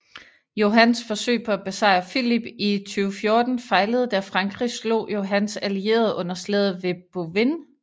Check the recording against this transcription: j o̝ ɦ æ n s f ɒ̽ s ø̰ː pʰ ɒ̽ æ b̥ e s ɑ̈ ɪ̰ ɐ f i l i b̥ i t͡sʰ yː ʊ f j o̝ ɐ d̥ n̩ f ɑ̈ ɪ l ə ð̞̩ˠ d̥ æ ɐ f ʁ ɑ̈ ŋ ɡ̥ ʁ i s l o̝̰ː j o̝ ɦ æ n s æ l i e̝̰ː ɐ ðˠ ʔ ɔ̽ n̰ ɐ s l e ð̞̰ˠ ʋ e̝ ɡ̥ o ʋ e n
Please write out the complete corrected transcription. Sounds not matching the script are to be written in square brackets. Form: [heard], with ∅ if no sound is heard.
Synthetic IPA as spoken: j o̝ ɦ æ n s f ɒ̽ s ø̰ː pʰ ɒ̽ æ b̥ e s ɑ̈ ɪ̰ ɐ f i l i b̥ i t͡sʰ yː ʊ f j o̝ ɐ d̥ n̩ f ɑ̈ ɪ l ə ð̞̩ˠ d̥ æ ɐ f ʁ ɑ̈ ŋ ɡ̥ ʁ i s l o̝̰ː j o̝ ɦ æ n s æ l i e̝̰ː ɐ ðˠ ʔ ɔ̽ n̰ ɐ s l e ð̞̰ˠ ʋ e̝ [b̥] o ʋ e n